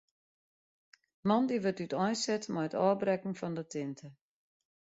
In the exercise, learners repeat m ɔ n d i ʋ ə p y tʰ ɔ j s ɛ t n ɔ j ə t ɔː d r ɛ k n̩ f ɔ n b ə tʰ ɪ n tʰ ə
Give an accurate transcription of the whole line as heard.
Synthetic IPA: m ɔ n d i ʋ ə t y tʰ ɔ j s ɛ t m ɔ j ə t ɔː b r ɛ k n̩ f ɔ n d ə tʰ ɪ n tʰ ə